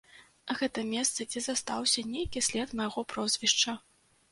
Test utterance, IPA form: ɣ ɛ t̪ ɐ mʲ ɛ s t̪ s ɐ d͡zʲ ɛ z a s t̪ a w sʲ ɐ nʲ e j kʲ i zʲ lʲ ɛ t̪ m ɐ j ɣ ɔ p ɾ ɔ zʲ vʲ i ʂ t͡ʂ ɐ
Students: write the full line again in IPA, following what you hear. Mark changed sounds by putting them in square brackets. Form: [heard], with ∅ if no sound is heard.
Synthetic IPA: ɣ ɛ t̪ ɐ mʲ ɛ s t̪ s ɐ d͡zʲ ɛ z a s t̪ a w sʲ ɐ nʲ e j kʲ i [sʲ] lʲ ɛ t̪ m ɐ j ɣ ɔ p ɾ ɔ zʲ vʲ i ʂ t͡ʂ ɐ